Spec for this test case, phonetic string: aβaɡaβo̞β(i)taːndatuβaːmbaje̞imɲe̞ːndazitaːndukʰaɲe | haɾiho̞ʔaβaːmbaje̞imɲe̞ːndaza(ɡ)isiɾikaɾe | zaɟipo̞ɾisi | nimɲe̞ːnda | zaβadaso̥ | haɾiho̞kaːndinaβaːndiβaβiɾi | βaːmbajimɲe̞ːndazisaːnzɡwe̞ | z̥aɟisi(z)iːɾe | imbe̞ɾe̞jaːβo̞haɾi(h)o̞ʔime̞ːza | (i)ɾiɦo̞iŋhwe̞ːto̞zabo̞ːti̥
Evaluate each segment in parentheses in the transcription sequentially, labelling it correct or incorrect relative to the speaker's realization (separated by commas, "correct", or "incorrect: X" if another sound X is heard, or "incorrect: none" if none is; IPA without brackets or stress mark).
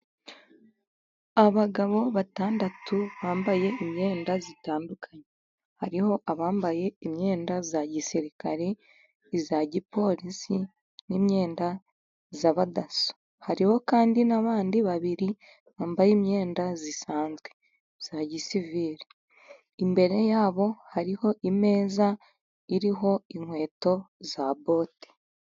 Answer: incorrect: a, incorrect: ɟ, incorrect: v, correct, correct